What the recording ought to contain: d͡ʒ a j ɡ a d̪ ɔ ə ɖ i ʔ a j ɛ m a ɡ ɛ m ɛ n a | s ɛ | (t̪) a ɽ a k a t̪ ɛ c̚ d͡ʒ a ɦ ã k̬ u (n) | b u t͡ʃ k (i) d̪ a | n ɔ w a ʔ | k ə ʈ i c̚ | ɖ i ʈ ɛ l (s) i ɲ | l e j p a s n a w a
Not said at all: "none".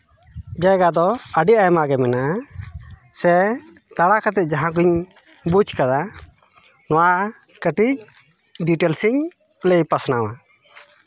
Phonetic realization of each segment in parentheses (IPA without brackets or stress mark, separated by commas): t̪, ɲ, a, s